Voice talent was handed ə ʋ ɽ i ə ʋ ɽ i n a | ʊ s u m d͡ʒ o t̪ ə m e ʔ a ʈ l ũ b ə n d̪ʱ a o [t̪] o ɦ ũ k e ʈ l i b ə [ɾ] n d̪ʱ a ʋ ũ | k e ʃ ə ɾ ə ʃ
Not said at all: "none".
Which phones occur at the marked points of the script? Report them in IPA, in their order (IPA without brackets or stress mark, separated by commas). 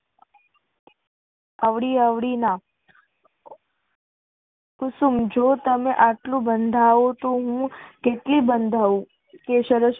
t̪, none